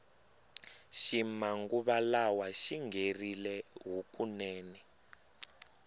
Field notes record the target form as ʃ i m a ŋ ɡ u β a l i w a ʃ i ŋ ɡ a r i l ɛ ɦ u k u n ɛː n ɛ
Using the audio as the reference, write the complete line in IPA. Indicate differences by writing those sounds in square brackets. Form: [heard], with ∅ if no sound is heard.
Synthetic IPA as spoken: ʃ i m a ŋ ɡ u β a l [a] w a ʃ i ŋ ɡ [e] r i l ɛ ɦ u k u n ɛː n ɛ